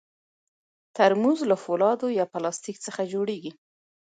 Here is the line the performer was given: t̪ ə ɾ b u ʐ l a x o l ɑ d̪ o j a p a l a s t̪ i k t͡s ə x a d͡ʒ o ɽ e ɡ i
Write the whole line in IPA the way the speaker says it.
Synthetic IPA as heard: t̪ a ɾ m u z l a f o l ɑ d̪ o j ɑ p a l ɑ s t̪ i k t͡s ə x a d͡ʒ o ɽ e ɡ i